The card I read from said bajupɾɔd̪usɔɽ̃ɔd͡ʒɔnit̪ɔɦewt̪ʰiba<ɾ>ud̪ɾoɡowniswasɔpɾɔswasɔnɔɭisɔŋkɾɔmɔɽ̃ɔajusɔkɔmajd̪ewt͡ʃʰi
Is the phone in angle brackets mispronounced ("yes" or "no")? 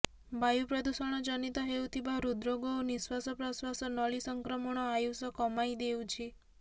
no